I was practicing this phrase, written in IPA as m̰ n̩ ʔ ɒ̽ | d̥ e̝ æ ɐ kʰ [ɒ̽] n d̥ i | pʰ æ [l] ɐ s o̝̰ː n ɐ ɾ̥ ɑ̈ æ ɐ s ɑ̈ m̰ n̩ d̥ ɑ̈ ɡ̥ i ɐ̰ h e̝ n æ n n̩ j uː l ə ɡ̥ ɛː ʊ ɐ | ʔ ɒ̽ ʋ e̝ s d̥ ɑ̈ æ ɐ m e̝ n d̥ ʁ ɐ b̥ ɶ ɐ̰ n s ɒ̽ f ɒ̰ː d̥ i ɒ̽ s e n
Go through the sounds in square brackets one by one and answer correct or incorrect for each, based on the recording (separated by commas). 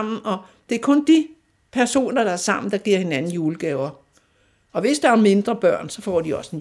incorrect, incorrect